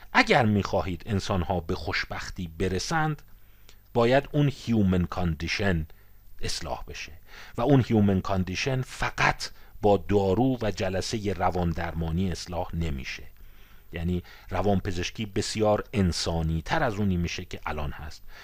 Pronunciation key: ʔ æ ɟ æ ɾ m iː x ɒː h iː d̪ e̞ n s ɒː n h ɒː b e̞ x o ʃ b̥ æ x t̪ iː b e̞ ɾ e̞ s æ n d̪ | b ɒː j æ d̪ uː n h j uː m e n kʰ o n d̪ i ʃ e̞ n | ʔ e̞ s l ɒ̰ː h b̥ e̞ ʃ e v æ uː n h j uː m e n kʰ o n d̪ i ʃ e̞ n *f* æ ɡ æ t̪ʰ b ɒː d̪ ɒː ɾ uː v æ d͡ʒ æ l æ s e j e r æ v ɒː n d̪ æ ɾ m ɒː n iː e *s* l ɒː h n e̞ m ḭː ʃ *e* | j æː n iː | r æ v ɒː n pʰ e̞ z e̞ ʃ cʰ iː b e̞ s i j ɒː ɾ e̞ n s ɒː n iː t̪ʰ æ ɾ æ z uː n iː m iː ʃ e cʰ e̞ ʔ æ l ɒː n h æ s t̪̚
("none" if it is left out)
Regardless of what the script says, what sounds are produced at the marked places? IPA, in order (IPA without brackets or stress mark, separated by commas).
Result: f, s, e